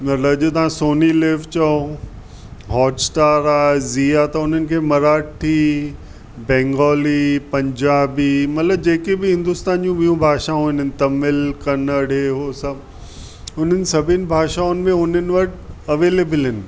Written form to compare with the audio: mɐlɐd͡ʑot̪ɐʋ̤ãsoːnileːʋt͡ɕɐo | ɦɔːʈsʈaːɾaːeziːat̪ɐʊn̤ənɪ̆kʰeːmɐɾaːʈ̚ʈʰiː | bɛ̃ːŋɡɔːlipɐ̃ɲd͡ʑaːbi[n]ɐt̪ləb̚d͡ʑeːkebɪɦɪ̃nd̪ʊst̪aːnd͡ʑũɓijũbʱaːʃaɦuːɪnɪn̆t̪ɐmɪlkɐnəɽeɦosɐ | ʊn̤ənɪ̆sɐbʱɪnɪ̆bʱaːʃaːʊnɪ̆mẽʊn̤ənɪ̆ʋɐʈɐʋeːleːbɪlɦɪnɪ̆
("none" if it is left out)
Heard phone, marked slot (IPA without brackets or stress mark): m